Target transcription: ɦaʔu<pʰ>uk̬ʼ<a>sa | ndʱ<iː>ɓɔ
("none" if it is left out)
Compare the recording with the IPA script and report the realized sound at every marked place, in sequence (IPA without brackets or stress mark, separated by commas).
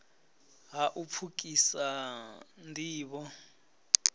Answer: pʰ, i, iː